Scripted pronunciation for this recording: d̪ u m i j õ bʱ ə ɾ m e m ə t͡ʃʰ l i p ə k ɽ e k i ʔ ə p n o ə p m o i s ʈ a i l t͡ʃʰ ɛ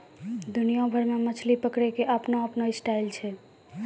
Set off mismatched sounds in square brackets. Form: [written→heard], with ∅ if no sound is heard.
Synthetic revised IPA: d̪ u [m→n] i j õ bʱ ə ɾ m e m ə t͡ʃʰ l i p ə k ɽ e k [i→e] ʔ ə p n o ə p [m→n] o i s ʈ a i l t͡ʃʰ ɛ